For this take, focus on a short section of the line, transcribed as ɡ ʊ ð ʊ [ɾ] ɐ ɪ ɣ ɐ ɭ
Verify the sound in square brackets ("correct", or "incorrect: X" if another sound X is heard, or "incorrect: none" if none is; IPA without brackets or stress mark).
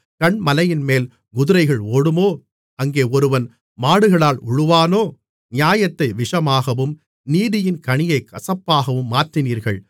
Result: correct